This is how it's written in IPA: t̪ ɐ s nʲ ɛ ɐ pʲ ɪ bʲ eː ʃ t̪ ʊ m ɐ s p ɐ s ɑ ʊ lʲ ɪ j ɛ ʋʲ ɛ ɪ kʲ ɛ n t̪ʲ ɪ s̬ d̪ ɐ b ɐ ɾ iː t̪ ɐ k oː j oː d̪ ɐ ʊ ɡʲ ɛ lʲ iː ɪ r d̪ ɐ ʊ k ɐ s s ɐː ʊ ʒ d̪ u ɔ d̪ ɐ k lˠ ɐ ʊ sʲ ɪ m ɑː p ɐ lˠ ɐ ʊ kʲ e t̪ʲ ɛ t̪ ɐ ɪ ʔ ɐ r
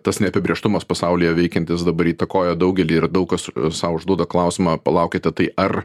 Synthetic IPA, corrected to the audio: t̪ ɐ s nʲ ɛ ɐ pʲ ɪ bʲ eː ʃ t̪ ʊ m ɐ s p ɐ s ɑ ʊ lʲ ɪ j ɛ ʋʲ ɛ ɪ kʲ ɛ n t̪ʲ ɪ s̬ d̪ ɐ b ɐ ɾ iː t̪ ɐ k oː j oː d̪ ɐ ʊ ɡʲ ɛ lʲ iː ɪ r d̪ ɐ ʊ k ɐ s s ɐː ʊ ʒ d̪ u ɔ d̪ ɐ k lˠ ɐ ʊ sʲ ɪ m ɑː p ɐ lˠ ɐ ʊ kʲ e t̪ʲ ɛ t̪ ɐ ɪ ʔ ɐ r